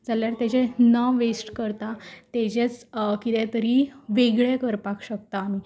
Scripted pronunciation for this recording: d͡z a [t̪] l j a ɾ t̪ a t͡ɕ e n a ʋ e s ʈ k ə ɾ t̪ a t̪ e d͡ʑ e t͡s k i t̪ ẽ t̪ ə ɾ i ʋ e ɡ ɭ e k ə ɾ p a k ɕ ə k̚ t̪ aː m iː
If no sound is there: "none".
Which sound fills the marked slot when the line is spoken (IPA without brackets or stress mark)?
none